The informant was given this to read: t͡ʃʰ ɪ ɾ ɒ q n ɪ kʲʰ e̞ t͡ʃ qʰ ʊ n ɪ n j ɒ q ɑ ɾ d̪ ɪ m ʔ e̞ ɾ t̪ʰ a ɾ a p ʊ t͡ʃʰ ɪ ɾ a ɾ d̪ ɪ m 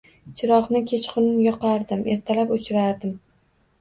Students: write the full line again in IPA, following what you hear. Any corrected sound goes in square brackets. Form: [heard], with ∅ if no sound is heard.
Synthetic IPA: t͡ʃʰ ɪ ɾ ɒ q n ɪ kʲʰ e̞ t͡ʃ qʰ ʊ n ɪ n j ɒ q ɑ ɾ d̪ ɪ m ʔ e̞ ɾ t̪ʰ a [l] a p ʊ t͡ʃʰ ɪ ɾ a ɾ d̪ ɪ m

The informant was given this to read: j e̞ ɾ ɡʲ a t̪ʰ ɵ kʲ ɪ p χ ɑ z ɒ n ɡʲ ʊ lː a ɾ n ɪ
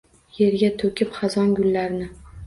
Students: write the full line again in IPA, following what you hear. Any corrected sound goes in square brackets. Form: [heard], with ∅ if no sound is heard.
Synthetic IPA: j e̞ ɾ ɡʲ a t̪ʰ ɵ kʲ ɪ p χ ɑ z ɒ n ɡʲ ʊ lː a ɾ n ɪ

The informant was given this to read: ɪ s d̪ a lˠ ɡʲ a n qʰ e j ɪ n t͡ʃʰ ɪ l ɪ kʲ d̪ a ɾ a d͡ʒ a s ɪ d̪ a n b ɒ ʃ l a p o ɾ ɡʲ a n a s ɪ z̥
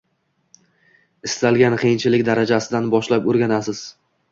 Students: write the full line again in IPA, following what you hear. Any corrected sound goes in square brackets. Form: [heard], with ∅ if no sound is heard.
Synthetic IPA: ɪ s [t̪] a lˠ ɡʲ a n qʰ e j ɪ n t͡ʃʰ ɪ l ɪ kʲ d̪ a ɾ a d͡ʒ a s ɪ d̪ a n b ɒ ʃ l a p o ɾ ɡʲ a n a s ɪ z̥

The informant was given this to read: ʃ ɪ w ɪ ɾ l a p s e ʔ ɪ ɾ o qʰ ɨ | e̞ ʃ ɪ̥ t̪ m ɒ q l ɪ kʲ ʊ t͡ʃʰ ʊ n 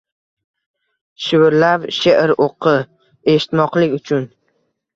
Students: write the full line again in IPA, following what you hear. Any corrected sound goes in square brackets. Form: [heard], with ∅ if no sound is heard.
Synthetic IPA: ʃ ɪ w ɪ ɾ l a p [ʃ] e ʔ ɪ ɾ o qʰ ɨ | e̞ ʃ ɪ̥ t̪ m ɒ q l ɪ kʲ ʊ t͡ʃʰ ʊ n

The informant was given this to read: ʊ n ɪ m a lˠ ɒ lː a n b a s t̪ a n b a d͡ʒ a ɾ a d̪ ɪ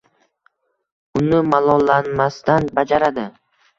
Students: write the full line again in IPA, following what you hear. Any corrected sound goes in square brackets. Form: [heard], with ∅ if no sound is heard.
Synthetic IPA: ʊ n ɪ m a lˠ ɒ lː a n [m] a s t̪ a n b a d͡ʒ a ɾ a d̪ ɪ

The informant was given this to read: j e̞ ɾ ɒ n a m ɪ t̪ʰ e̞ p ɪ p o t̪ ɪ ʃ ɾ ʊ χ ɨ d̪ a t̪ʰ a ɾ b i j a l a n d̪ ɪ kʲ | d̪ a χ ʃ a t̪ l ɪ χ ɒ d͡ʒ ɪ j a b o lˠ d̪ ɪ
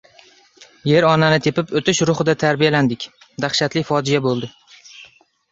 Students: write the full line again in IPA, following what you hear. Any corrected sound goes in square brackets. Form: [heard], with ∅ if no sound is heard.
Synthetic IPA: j e̞ ɾ ɒ n a [n] ɪ t̪ʰ e̞ p ɪ p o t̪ ɪ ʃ ɾ ʊ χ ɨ d̪ a t̪ʰ a ɾ b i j a l a n d̪ ɪ kʲ | d̪ a χ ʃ a t̪ l ɪ [f] ɒ d͡ʒ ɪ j a b o lˠ d̪ ɪ

